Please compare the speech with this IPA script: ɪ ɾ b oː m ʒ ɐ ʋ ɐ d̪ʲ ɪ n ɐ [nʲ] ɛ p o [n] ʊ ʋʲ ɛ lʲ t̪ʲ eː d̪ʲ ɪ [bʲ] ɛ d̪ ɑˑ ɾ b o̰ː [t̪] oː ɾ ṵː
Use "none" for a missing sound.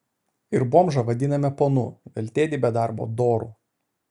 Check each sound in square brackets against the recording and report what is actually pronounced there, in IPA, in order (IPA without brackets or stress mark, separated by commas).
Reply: mʲ, n, bʲ, d̪